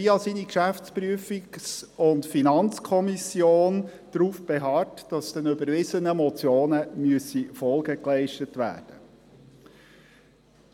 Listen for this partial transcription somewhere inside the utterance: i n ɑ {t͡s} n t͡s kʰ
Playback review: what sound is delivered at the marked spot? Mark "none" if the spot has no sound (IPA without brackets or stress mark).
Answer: none